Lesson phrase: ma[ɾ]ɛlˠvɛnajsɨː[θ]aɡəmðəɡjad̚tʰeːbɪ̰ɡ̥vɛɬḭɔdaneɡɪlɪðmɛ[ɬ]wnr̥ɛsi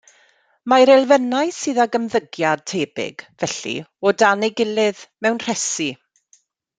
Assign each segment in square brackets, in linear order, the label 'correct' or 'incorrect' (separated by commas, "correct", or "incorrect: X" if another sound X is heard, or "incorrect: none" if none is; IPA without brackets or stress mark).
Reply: correct, incorrect: ð, incorrect: none